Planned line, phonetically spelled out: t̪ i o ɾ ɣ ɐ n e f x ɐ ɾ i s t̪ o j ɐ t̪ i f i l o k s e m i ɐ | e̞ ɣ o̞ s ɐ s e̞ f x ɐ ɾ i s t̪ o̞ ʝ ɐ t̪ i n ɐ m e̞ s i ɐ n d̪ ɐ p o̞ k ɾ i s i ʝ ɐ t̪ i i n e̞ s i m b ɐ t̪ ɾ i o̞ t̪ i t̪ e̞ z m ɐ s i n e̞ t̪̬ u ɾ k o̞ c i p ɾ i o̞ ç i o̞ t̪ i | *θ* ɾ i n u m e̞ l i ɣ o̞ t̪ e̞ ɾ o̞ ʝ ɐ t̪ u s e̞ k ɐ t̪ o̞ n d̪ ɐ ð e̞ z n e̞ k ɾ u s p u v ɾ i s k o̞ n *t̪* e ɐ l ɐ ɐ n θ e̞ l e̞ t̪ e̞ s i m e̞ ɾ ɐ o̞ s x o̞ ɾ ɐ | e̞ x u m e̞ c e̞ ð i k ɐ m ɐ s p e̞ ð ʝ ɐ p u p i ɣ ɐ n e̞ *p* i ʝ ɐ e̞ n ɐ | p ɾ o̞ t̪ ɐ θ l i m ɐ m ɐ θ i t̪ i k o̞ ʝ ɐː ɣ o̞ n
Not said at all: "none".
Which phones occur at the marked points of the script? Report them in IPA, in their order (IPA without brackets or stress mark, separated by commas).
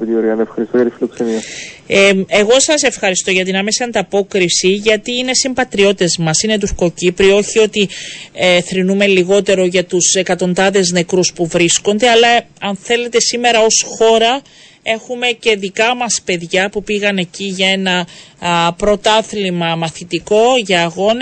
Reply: θ, d̪, c